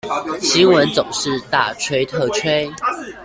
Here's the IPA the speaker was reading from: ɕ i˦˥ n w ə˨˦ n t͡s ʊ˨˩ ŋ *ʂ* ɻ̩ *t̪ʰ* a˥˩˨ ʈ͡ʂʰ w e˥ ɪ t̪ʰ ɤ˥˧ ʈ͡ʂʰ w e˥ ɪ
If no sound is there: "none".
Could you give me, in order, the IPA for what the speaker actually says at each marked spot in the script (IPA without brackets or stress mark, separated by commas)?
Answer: ʂ, t̪